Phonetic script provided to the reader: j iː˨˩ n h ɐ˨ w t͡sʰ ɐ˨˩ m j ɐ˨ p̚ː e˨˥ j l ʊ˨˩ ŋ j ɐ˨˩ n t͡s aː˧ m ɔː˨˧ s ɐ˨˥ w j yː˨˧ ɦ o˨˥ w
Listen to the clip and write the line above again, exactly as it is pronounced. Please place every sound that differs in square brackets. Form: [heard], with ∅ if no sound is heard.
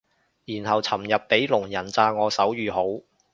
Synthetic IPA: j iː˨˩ n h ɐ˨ w t͡sʰ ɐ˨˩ m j ɐ˨ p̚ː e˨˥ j l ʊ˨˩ ŋ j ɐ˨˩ n t͡s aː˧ [ŋ] ɔː˨˧ s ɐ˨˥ w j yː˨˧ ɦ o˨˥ w